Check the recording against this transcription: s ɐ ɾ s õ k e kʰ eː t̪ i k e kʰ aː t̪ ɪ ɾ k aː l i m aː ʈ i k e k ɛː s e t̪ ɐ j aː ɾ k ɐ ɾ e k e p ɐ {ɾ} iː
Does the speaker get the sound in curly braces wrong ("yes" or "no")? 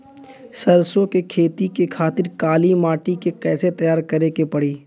yes